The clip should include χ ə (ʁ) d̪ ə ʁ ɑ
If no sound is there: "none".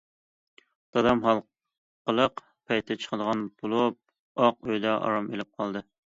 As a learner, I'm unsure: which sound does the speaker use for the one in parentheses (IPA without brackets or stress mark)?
none